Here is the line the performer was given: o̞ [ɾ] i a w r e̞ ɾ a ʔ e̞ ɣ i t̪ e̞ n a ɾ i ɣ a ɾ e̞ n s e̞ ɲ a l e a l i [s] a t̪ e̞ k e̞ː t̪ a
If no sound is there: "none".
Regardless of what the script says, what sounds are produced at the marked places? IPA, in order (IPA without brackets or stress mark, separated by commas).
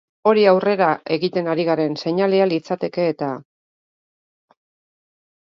ɾ, t͡s